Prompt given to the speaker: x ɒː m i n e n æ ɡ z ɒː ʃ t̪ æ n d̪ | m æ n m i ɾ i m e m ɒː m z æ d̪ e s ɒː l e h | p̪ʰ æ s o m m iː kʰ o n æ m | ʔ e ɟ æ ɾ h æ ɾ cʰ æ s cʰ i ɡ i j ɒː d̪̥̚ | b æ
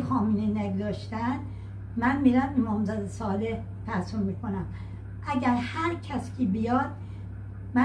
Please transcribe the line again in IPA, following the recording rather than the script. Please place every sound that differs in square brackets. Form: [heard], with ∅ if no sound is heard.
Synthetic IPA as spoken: x ɒː m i n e n æ ɡ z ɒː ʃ t̪ æ n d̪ | m æ n m i ɾ [æ] m e m ɒː m z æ d̪ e s ɒː l e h | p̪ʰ æ s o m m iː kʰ o n æ m | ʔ [æ] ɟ æ ɾ h æ ɾ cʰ æ s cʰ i [b] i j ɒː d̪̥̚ | [m] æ